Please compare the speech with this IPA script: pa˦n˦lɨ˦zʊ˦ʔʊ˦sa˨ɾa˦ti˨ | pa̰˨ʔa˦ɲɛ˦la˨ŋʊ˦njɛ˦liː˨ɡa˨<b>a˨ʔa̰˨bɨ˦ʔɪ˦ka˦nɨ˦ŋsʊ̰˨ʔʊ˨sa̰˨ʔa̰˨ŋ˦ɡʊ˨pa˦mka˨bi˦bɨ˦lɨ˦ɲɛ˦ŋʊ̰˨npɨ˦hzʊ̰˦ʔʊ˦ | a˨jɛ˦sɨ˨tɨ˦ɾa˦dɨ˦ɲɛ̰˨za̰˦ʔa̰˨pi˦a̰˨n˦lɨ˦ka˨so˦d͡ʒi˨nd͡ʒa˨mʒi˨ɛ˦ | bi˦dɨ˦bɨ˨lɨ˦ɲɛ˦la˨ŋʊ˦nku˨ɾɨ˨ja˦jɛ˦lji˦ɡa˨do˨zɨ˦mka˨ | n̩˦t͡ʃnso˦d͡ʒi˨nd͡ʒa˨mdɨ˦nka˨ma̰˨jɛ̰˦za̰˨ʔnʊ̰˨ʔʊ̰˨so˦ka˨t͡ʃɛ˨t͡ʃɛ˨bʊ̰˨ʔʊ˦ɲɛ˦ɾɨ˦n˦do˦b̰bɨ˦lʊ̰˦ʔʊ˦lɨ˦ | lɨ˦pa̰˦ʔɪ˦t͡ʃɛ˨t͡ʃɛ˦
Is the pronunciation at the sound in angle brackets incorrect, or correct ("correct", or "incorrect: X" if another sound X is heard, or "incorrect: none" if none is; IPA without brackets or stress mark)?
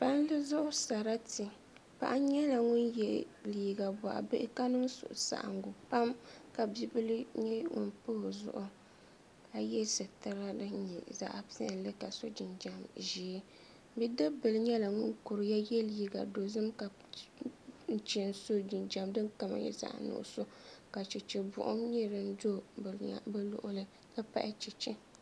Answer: correct